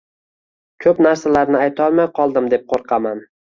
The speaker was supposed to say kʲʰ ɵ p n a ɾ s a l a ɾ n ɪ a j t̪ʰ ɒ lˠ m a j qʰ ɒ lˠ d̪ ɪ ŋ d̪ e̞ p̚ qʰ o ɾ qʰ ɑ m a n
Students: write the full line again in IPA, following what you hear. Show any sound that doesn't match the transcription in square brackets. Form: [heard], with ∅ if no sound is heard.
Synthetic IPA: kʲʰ ɵ p n a ɾ s a l a ɾ n ɪ a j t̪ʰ ɒ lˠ m a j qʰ ɒ lˠ d̪ ɪ [m] d̪ e̞ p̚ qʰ o ɾ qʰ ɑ m a n